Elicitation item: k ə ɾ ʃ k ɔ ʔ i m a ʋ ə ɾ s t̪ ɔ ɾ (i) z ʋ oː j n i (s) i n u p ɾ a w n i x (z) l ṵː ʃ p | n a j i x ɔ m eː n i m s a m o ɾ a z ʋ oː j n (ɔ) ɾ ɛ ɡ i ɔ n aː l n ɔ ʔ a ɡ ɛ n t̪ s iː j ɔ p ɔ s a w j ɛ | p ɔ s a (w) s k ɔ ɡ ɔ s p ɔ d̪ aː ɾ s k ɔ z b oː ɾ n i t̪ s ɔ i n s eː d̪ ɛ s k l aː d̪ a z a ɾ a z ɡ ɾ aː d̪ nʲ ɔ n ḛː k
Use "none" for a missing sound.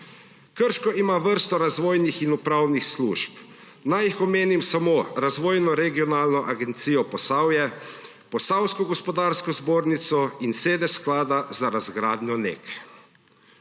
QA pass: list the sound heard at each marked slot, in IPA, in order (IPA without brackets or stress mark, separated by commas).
a, x, s, ɔ, w